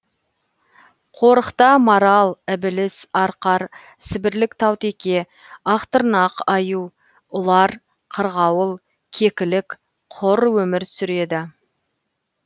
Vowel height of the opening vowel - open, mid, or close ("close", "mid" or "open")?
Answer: mid